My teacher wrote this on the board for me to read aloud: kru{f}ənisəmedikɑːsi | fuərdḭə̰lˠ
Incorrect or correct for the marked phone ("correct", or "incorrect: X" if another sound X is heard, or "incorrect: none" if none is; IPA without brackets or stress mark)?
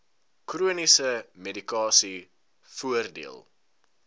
incorrect: none